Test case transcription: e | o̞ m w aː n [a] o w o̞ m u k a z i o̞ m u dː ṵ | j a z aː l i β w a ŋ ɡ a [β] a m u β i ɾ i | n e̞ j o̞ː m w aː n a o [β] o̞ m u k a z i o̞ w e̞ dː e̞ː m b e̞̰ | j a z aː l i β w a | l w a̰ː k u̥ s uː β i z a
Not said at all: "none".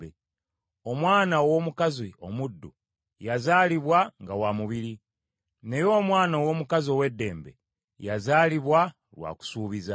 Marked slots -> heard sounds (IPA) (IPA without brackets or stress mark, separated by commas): a, w, w